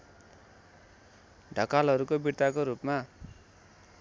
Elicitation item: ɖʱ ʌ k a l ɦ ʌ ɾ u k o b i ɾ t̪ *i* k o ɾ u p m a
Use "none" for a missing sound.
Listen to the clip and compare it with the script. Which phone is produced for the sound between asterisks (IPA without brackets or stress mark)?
a